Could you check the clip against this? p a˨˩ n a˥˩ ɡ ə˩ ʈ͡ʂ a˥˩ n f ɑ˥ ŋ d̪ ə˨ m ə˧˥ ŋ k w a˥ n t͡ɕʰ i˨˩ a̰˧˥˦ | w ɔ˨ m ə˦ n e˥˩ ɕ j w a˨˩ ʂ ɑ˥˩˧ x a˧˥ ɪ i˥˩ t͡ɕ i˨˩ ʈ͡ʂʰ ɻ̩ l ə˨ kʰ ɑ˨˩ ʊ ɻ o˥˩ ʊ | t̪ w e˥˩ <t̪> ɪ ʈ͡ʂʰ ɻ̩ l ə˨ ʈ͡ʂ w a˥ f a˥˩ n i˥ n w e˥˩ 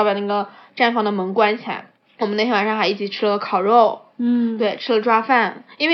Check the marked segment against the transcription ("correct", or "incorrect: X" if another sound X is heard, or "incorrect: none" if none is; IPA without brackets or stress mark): incorrect: none